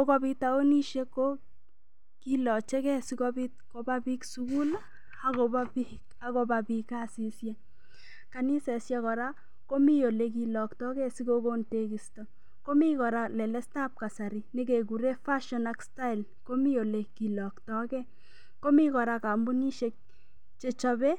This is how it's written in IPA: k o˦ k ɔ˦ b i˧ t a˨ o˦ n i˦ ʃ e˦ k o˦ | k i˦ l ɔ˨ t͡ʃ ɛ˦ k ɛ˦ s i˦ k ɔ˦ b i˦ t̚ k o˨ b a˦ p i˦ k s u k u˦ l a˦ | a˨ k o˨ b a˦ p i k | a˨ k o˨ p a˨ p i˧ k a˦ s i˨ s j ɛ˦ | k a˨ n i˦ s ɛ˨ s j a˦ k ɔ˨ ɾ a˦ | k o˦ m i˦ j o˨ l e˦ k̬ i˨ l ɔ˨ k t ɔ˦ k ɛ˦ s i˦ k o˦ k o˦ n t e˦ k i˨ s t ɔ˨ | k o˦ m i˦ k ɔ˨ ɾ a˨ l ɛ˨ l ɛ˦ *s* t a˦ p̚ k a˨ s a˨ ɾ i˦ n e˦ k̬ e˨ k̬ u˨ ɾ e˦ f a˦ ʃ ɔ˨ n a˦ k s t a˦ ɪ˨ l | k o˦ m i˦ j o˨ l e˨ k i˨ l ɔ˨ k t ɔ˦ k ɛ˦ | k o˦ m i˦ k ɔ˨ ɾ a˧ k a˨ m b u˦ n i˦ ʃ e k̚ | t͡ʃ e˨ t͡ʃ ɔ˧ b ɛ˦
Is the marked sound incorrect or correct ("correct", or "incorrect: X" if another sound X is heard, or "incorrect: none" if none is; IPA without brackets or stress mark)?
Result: correct